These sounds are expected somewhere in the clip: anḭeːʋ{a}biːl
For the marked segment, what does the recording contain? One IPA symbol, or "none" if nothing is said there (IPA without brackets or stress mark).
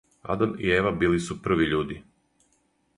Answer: a